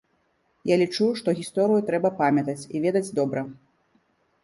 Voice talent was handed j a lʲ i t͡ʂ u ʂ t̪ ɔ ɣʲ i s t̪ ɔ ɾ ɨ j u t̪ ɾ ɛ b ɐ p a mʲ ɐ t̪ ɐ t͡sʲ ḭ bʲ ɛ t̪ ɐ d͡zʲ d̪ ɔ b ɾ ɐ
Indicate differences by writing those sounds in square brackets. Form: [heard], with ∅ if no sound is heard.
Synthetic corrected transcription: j a lʲ i t͡ʂ u ʂ t̪ ɔ ɣʲ i s t̪ ɔ ɾ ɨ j u t̪ ɾ ɛ b ɐ p a mʲ ɐ t̪ ɐ t͡sʲ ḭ [vʲ] ɛ [d̪] ɐ d͡zʲ d̪ ɔ b ɾ ɐ